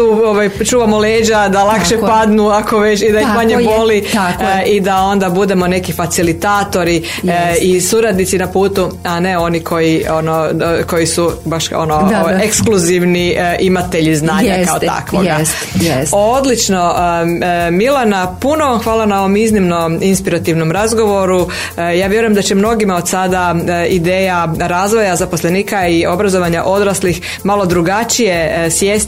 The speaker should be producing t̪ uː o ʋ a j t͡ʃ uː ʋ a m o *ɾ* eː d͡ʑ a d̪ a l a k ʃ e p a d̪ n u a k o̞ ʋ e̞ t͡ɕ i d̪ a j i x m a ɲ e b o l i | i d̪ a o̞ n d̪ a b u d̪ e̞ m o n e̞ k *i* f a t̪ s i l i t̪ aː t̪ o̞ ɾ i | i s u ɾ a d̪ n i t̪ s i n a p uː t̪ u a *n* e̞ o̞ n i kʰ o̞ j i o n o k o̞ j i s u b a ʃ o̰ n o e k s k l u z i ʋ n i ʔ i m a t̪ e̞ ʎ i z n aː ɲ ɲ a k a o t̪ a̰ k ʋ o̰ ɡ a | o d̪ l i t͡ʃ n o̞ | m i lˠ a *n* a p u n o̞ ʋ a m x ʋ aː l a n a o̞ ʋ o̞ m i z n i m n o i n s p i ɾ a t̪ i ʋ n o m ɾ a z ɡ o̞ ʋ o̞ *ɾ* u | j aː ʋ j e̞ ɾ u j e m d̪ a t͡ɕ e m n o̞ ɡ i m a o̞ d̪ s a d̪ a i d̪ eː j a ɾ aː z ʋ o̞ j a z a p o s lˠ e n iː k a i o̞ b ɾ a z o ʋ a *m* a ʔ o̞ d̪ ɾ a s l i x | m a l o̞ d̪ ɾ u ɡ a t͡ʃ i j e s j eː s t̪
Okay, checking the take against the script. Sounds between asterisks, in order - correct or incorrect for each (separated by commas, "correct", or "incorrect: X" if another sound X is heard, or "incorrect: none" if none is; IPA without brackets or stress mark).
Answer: incorrect: l, correct, correct, correct, correct, incorrect: ɲ